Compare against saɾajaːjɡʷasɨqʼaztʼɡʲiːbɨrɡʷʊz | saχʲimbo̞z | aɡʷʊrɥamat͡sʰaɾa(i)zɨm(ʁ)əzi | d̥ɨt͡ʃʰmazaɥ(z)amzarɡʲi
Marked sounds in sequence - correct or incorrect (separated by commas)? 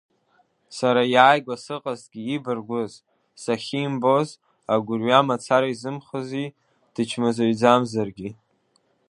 correct, incorrect, incorrect